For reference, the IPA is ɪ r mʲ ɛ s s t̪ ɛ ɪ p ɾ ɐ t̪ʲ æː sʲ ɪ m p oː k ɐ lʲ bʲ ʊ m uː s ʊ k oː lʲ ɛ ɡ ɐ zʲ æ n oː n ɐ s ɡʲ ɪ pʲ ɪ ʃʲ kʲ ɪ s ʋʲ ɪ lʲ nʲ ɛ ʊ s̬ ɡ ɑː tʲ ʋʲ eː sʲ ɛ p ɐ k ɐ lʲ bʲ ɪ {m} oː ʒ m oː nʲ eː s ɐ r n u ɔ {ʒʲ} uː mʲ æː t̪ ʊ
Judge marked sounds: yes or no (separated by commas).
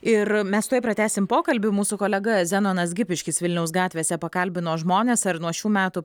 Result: no, no